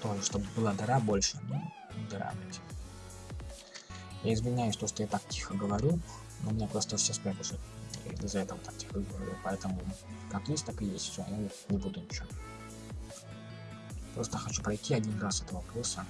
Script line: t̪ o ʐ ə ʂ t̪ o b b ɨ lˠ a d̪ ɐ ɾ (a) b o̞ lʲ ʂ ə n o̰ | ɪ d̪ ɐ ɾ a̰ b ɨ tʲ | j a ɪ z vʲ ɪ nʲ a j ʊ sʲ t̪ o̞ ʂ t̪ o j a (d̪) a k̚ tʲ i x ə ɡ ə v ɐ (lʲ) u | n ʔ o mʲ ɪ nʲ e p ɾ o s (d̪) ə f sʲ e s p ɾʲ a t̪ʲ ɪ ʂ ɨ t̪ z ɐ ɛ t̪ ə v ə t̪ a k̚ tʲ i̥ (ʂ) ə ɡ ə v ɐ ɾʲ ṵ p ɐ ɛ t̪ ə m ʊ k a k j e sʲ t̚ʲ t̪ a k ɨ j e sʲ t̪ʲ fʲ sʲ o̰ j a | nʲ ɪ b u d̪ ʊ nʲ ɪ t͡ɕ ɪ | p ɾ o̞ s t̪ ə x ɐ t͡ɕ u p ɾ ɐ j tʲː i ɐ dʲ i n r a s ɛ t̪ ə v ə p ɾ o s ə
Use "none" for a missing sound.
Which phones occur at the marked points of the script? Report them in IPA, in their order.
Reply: a, t̪, ɾʲ, t̪, x

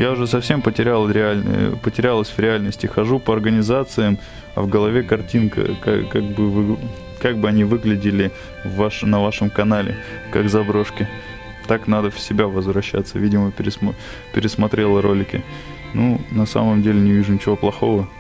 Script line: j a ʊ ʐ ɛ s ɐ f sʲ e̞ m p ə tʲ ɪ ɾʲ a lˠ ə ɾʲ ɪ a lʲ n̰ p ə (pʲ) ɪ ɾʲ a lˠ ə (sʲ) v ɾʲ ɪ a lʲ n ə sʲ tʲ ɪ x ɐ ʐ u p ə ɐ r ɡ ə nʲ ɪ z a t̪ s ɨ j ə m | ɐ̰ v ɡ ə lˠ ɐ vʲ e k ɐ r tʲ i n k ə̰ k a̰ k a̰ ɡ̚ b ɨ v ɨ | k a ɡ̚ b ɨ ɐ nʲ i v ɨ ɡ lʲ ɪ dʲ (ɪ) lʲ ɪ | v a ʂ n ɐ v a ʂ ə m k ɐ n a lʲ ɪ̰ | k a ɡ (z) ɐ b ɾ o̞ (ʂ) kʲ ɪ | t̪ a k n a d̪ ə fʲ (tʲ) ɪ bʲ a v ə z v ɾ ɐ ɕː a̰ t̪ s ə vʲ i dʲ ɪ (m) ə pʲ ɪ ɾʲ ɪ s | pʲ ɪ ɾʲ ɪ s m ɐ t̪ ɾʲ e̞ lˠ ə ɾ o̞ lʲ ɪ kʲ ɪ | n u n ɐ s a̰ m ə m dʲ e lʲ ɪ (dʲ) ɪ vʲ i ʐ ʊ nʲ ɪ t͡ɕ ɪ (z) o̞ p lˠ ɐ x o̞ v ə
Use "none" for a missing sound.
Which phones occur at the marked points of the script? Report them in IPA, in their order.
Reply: tʲ, sʲ, ɪ, z, ʂ, sʲ, m, nʲ, v

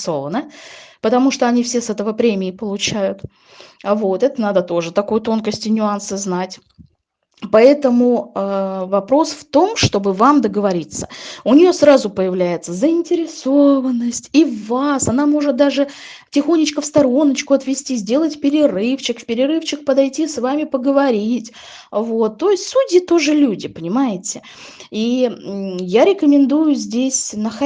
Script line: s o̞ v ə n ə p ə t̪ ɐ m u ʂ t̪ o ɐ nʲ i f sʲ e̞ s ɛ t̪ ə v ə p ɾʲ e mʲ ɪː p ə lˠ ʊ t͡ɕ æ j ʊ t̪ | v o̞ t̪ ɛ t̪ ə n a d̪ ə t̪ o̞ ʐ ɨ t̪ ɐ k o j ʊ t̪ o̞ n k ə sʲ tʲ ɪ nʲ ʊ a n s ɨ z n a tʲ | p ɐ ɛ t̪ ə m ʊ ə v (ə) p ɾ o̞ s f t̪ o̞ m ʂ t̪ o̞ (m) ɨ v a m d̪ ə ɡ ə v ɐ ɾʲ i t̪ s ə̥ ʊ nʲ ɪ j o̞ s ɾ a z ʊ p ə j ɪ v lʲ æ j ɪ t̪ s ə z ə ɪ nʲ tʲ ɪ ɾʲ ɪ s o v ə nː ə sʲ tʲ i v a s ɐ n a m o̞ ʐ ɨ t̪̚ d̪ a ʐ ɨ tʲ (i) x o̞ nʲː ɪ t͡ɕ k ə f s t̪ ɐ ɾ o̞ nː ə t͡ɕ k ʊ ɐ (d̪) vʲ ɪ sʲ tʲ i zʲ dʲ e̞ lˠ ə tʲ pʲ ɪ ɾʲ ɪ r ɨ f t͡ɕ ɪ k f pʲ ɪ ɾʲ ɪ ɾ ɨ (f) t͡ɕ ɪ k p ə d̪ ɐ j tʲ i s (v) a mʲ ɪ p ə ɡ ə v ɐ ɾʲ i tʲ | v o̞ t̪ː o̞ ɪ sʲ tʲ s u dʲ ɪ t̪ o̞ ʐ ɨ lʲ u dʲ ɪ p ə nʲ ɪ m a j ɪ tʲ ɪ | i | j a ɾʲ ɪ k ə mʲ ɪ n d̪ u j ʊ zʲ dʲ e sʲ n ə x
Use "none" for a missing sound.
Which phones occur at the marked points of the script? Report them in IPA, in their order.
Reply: ɐ, b, ɪ, t̪, f, v

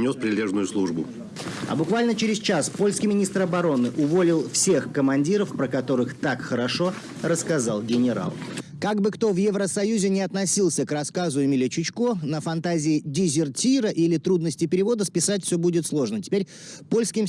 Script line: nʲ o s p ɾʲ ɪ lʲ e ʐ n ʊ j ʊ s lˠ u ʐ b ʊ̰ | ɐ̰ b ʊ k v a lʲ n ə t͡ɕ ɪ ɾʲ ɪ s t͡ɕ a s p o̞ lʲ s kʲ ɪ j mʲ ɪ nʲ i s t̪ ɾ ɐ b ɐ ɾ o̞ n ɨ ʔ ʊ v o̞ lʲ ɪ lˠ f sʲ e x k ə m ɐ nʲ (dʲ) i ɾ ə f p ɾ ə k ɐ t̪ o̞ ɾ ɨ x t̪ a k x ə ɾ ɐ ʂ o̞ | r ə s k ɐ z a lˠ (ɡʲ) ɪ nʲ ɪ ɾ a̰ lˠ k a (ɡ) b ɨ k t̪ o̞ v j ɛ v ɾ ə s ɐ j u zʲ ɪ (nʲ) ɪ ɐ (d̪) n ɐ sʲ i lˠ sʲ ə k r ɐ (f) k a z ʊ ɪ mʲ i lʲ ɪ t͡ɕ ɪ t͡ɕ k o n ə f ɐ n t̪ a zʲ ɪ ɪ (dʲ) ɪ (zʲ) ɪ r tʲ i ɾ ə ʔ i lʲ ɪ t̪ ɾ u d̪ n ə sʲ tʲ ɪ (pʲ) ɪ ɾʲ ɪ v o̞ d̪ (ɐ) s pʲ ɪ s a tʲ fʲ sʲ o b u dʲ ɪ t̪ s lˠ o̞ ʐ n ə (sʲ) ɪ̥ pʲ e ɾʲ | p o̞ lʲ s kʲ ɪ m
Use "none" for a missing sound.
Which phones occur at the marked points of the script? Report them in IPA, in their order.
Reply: dʲ, ɡʲ, ɡ, nʲ, t̪, s, dʲ, zʲ, pʲ, ə, tʲ

